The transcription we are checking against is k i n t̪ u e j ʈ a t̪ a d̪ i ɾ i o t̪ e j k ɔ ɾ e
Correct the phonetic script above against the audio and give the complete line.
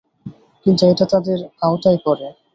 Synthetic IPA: k i n t̪ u e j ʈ a t̪ a d̪ e ɾ a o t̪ a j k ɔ ɾ e